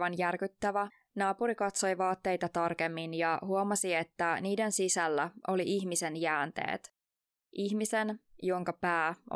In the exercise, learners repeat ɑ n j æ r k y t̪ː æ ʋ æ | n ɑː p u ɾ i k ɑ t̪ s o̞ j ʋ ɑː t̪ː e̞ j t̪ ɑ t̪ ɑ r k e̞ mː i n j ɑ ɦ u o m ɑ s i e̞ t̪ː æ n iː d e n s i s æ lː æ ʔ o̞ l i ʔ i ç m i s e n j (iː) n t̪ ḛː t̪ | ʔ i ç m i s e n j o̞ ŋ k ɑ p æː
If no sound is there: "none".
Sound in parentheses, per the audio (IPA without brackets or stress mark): æː